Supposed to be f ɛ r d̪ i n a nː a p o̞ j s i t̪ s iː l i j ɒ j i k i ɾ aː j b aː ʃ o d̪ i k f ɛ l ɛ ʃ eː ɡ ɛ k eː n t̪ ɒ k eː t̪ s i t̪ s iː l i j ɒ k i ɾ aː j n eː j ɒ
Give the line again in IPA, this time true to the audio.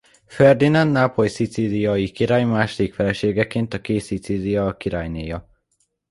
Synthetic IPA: f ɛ r d̪ i n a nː a p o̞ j s i t̪ s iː l i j ɒ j i k i ɾ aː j m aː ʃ o d̪ i k f ɛ l ɛ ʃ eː ɡ ɛ k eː n t̪ ɒ k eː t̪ s i t̪ s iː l i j ɒ k i ɾ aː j n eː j ɒ

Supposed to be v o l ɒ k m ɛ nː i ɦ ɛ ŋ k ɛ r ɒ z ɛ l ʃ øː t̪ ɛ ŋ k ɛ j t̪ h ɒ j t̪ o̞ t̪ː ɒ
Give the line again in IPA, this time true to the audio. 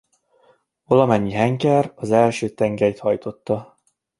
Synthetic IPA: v o l ɒ m ɛ ɲː i ɦ ɛ ŋ k ɛ r ɒ z ɛ l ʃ øː t̪ ɛ ŋ ɡ ɛ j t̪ h ɒ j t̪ o̞ t̪ː ɒ

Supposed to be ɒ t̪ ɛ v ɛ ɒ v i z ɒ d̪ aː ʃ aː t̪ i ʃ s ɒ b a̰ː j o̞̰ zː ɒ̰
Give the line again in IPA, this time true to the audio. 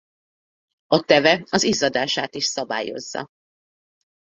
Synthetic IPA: ɒ t̪ ɛ v ɛ ɒ z i z ɒ d̪ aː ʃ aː t̪ i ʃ s ɒ b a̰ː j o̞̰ zː ɒ̰

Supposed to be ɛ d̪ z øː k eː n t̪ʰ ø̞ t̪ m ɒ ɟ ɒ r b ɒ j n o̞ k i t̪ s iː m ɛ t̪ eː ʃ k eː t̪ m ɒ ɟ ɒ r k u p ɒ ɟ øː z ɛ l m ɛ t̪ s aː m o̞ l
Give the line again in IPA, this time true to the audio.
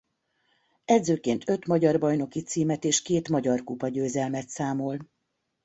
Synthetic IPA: ɛ d̪ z øː k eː n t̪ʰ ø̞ t̪ m ɒ ɟ ɒ r b ɒ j n o̞ k i t̪ s iː m ɛ t̪ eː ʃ k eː t̪ m ɒ ɟ ɒ r k u p ɒ ɟ øː z ɛ l m ɛ t̪ s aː m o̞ l

